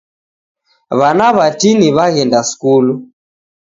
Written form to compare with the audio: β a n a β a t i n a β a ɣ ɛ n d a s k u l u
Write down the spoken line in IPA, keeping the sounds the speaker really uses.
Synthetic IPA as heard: β a n a β a t i n i β a ɣ ɛ n d a s k u l u